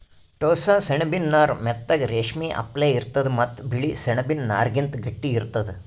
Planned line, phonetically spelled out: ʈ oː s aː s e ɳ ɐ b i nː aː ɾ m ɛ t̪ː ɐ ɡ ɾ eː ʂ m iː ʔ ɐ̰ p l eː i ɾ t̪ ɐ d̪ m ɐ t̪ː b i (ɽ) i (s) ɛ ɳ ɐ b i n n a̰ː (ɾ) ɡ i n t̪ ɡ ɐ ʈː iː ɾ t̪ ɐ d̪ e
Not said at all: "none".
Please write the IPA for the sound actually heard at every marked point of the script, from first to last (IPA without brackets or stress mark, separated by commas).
ɭ, s, ɾ